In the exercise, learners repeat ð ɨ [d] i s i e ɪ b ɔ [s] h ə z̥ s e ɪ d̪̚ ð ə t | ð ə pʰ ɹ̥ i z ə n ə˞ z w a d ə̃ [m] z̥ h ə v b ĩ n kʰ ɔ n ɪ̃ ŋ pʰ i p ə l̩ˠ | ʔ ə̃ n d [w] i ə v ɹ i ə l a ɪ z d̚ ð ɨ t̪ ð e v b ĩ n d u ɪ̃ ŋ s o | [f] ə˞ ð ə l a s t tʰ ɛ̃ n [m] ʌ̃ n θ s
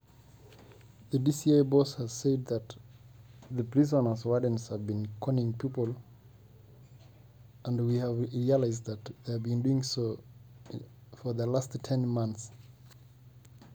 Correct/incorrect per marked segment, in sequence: correct, correct, incorrect, correct, correct, correct

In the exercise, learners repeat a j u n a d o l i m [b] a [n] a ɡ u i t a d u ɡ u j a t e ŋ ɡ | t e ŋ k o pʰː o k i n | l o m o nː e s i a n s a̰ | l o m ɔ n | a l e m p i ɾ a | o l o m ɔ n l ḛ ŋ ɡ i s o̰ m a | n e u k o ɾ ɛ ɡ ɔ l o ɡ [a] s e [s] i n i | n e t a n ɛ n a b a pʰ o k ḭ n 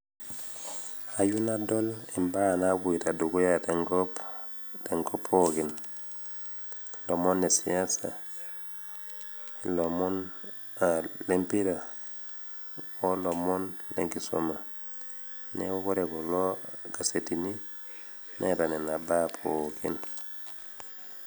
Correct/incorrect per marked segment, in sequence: correct, correct, correct, incorrect

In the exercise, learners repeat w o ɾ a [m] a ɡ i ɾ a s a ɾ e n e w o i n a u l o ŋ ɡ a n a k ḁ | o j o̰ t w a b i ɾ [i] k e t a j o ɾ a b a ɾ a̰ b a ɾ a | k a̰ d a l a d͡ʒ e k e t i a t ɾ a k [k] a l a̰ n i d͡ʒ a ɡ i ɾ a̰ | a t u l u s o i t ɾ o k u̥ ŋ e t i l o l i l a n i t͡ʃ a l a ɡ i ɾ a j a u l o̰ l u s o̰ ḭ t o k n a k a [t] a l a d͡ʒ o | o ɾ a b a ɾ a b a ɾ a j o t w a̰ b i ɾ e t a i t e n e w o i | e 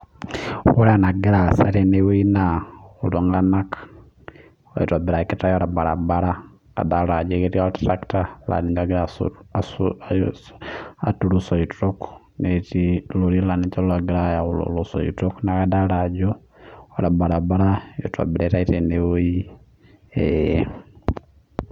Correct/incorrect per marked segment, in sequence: incorrect, incorrect, incorrect, incorrect

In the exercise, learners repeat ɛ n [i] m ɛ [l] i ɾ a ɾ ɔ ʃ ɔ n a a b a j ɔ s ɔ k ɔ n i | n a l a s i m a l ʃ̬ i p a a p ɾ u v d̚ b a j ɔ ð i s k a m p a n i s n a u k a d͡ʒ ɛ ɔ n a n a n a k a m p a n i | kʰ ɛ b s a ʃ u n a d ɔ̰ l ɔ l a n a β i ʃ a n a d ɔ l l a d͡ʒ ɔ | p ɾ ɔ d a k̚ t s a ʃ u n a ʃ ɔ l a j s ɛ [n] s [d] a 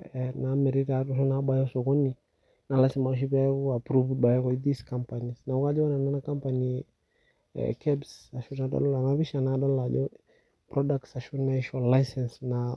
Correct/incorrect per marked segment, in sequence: incorrect, incorrect, correct, incorrect

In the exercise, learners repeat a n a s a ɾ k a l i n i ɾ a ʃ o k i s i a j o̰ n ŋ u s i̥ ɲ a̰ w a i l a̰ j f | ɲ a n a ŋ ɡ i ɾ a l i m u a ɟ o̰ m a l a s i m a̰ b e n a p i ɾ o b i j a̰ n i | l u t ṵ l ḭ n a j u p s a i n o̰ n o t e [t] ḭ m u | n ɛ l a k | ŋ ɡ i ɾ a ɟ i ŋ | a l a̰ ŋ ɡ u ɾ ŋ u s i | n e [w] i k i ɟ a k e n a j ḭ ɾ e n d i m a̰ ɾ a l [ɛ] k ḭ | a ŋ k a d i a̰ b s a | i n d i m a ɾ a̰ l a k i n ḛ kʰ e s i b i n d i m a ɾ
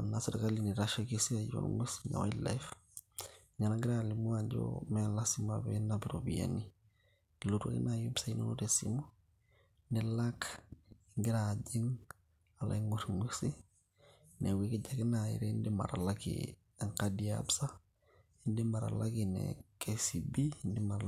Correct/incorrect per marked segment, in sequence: incorrect, correct, incorrect

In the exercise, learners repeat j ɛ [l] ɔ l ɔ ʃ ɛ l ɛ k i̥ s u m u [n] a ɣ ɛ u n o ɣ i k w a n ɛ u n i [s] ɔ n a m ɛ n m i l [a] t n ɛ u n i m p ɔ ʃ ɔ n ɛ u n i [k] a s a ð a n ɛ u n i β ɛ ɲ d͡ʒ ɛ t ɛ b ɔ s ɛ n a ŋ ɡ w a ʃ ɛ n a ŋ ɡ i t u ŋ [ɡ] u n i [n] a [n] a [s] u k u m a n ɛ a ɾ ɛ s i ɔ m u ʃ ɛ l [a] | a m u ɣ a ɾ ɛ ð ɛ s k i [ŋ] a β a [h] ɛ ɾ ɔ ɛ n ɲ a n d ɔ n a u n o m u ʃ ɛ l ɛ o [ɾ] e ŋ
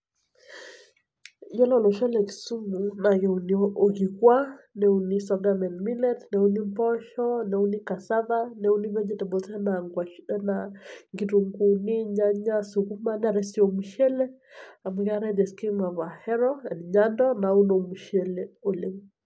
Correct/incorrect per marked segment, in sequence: correct, correct, correct, incorrect, correct, correct, incorrect, incorrect, correct, incorrect, incorrect, correct, incorrect

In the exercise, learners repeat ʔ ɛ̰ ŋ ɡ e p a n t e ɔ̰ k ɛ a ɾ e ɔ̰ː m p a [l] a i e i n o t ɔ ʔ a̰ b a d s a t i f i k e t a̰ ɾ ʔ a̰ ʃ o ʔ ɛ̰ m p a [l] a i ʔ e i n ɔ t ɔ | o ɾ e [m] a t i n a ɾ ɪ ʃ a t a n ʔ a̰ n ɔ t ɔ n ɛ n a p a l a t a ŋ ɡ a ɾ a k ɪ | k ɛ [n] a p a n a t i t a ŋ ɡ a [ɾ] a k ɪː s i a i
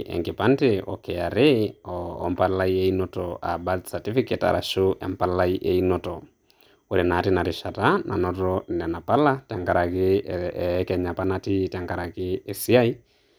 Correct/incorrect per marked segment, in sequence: correct, correct, incorrect, incorrect, correct

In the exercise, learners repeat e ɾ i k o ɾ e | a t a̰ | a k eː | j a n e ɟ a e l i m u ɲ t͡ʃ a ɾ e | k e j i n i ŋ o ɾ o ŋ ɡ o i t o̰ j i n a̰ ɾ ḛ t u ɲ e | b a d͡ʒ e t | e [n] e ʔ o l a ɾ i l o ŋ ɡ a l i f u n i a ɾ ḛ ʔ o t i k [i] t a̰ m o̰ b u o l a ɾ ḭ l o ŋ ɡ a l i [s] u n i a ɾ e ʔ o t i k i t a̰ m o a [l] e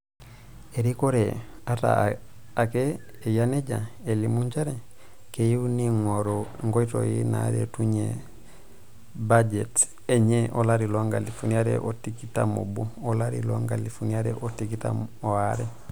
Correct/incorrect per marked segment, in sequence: incorrect, correct, incorrect, incorrect

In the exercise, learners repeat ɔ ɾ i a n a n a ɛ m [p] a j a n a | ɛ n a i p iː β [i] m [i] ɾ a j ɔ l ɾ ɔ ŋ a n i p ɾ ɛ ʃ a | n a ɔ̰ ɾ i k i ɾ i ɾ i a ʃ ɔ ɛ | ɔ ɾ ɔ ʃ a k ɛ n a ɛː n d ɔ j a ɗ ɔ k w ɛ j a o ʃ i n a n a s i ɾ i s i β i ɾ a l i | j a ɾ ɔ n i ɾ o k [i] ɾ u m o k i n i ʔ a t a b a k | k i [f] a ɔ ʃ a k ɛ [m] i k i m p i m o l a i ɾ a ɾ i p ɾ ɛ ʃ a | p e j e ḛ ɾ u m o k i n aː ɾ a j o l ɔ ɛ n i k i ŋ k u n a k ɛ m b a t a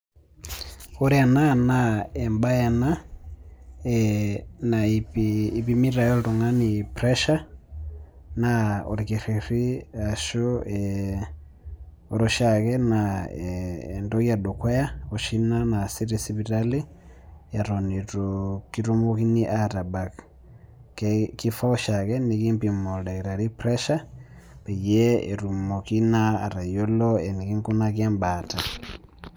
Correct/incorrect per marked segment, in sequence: incorrect, correct, correct, correct, correct, incorrect

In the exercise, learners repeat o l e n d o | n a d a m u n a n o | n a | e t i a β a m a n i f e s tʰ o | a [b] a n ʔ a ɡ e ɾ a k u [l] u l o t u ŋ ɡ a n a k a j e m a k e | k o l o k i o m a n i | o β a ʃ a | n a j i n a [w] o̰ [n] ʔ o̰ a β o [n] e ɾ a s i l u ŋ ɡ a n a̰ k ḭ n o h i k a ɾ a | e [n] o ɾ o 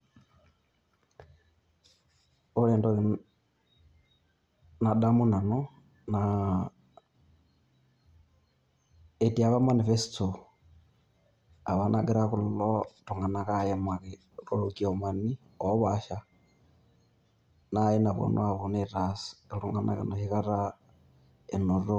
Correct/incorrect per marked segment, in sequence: incorrect, correct, incorrect, correct, correct, correct

